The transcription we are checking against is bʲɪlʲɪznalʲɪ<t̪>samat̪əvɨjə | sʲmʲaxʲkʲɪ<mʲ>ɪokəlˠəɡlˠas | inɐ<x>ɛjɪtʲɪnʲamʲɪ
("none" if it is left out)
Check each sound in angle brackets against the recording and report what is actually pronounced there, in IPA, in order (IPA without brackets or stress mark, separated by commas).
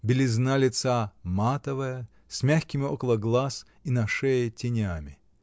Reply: t̪, mʲ, ʂ